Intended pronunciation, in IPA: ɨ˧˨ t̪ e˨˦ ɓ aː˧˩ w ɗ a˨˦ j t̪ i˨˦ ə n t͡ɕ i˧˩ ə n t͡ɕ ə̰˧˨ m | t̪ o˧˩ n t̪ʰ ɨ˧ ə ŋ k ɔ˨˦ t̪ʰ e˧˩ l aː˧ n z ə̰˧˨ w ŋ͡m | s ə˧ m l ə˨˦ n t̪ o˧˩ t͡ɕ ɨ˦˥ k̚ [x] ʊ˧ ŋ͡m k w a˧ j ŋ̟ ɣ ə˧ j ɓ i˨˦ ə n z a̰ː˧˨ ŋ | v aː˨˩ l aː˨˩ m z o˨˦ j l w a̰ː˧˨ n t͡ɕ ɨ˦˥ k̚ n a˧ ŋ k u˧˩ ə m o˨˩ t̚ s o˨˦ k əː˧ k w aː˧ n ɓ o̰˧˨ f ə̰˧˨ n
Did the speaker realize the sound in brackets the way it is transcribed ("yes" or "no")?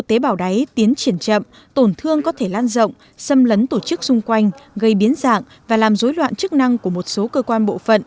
no